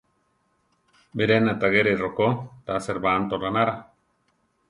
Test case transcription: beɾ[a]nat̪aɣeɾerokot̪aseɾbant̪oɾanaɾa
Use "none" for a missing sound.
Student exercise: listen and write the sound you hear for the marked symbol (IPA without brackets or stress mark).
e